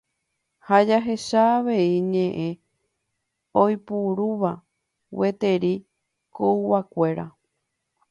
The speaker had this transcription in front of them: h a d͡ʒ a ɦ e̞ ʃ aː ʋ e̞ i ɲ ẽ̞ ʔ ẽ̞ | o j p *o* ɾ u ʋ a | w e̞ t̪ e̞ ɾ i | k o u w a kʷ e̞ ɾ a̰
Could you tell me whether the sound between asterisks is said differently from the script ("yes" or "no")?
yes